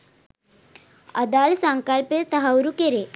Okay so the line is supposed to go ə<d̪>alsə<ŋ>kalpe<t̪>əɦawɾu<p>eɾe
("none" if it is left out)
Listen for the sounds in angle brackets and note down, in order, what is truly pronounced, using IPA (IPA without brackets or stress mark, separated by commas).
d̪, ŋ, t̪, k